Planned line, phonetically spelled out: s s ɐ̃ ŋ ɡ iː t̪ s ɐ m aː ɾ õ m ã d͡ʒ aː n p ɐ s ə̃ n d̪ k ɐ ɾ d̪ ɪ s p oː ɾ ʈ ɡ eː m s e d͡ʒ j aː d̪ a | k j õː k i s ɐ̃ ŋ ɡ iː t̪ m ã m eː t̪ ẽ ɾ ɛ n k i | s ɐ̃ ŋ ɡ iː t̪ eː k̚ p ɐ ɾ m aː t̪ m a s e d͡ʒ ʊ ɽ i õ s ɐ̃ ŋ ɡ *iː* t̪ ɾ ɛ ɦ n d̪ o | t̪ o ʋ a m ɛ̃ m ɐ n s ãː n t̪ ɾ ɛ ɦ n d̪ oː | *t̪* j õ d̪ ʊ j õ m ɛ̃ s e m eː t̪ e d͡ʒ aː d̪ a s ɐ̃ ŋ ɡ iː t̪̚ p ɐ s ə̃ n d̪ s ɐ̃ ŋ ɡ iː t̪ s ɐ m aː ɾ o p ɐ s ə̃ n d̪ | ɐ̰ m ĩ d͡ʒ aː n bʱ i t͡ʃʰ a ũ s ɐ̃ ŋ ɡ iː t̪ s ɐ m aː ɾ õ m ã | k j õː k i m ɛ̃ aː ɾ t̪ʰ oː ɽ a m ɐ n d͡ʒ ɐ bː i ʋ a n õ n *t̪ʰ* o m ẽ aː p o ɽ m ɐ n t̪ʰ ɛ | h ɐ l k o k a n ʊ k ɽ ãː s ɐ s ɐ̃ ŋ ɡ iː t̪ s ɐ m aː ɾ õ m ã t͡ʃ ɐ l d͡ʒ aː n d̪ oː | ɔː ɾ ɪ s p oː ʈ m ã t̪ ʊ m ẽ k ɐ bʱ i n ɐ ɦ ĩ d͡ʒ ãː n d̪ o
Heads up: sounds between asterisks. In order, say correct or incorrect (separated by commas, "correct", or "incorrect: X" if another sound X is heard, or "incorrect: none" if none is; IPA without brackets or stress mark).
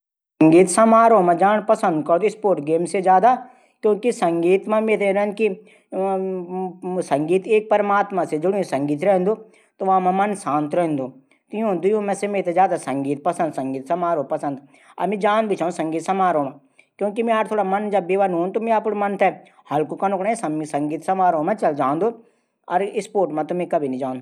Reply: correct, correct, incorrect: t̪